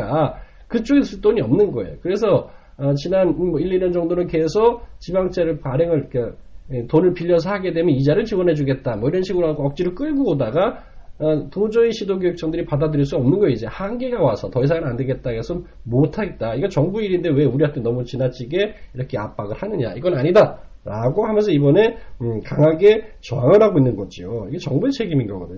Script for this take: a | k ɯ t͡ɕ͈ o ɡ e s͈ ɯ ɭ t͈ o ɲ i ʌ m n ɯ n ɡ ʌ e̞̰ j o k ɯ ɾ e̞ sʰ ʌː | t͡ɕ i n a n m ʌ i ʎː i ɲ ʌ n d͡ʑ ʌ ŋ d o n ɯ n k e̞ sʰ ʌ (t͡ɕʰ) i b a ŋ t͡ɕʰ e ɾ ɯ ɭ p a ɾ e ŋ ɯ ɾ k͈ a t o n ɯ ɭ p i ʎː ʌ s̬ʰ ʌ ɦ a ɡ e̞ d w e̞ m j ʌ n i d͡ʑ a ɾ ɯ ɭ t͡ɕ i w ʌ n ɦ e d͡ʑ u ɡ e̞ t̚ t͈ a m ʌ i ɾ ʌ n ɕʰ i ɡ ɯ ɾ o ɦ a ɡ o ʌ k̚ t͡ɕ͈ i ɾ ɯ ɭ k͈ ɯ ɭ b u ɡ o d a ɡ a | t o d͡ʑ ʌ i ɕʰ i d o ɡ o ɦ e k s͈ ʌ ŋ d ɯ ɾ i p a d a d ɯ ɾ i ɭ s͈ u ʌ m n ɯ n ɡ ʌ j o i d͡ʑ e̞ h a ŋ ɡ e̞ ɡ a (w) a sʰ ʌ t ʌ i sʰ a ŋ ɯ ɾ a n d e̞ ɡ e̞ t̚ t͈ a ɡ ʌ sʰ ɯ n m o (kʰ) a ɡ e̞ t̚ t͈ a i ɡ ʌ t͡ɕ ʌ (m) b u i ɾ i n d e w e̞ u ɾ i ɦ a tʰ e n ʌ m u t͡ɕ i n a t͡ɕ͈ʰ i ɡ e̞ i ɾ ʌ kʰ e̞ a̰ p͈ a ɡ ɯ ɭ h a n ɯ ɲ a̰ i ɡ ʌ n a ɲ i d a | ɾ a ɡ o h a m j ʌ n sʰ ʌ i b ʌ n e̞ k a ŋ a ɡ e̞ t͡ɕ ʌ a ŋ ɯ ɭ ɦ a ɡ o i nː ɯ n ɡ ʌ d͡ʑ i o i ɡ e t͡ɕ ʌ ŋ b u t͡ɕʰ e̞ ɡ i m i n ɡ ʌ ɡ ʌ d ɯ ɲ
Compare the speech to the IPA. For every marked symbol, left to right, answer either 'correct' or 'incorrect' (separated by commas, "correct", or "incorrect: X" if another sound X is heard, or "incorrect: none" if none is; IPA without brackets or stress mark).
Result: incorrect: t͡ɕ, correct, incorrect: tʰ, incorrect: ŋ